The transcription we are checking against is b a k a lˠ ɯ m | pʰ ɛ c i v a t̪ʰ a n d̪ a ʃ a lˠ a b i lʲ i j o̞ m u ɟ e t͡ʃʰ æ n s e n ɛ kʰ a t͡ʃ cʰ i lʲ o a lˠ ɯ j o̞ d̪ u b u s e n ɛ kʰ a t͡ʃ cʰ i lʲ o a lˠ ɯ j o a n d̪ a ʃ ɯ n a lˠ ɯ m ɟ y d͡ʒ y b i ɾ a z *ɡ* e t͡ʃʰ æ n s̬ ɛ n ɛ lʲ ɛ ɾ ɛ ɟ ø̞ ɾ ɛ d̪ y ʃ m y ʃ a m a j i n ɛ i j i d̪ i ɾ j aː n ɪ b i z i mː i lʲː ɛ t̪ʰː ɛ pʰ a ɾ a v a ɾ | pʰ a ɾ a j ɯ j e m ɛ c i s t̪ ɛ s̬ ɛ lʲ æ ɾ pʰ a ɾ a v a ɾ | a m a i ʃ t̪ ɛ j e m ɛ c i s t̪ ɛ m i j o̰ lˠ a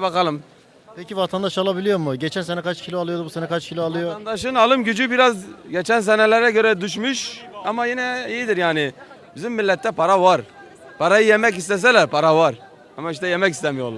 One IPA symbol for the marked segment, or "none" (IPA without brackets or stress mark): ɟ